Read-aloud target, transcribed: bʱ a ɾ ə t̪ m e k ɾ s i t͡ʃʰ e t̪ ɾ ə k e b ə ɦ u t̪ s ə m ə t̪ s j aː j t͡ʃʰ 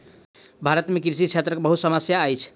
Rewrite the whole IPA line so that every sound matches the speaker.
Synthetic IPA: bʱ a ɾ ə t̪ m e k ɾ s i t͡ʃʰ e t̪ ɾ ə k e b ə ɦ u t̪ s ə m ə s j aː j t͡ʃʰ